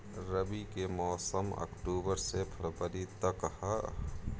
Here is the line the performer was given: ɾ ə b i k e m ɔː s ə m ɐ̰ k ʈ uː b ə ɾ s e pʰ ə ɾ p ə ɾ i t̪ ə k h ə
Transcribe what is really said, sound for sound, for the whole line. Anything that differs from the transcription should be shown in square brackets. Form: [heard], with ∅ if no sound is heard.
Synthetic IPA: ɾ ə b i k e m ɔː s ə m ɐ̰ k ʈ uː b ə ɾ s e pʰ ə ɾ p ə ɾ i t̪ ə k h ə